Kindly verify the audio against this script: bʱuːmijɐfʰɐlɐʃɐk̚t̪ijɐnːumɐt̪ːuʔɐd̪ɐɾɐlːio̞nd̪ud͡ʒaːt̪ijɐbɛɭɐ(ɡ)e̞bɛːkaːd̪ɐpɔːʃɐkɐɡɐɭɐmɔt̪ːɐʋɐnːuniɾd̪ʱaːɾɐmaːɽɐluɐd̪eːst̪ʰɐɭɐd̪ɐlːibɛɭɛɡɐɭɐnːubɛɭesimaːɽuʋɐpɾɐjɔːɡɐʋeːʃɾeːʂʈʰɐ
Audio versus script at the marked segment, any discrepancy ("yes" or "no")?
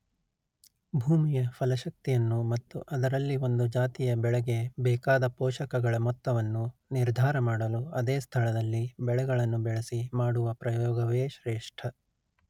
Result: no